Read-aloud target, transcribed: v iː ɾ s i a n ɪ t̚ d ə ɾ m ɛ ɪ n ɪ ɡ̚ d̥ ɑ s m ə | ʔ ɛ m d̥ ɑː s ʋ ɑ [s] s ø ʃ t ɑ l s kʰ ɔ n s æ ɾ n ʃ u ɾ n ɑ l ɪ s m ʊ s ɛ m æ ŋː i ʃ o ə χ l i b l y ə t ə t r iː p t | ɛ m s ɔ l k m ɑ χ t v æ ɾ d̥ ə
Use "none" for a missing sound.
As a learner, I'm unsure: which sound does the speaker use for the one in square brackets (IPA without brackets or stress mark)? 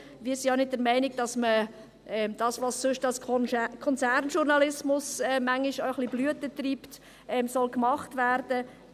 s